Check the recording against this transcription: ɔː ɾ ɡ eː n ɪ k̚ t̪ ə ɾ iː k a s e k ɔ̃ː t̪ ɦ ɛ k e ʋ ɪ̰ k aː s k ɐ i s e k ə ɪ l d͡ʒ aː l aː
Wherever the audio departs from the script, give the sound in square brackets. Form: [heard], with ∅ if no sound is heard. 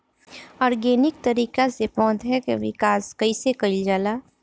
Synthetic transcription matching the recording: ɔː ɾ ɡ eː n ɪ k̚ t̪ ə ɾ iː k a s e [p] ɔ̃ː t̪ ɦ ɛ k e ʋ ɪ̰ k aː s k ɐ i s e k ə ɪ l d͡ʒ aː l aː